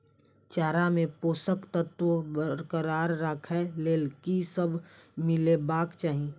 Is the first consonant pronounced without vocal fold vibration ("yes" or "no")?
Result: yes